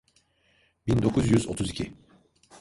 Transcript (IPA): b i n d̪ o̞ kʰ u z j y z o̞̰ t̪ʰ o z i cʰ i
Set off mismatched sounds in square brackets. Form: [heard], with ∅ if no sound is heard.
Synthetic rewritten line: b i n d̪ o̞ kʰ u z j y z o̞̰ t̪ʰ [u] z i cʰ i